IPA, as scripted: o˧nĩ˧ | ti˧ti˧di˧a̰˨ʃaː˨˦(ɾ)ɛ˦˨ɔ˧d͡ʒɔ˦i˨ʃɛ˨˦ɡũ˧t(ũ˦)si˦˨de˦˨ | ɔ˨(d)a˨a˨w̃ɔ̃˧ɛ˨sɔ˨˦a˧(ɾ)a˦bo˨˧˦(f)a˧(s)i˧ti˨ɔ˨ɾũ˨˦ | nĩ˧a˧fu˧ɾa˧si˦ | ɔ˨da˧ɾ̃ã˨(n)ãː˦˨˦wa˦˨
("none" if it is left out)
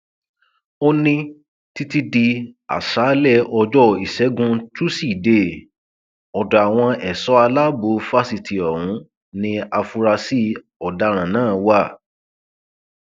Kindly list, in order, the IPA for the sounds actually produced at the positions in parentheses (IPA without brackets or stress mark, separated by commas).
l, u˦, d, l, f, s, n